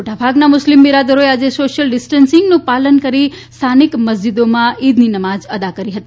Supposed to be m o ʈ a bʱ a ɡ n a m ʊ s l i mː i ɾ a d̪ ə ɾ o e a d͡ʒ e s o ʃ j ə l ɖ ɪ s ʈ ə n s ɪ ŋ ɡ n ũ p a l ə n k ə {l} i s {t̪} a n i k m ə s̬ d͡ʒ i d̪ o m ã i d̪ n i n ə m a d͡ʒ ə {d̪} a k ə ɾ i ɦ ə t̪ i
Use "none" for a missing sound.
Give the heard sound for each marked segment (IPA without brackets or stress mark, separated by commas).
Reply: ɾ, t̪ʰ, d̪